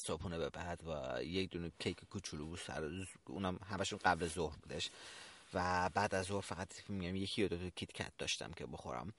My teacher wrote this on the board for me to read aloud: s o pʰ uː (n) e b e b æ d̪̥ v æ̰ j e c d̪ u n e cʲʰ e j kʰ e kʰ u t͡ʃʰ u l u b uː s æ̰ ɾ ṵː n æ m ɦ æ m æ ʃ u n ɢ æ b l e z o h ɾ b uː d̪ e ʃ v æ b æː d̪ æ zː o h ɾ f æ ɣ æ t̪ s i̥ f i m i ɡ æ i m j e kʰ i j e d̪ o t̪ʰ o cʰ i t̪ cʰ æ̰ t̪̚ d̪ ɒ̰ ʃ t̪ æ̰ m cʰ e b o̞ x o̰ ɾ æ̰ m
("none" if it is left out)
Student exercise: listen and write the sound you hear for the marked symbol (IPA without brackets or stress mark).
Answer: n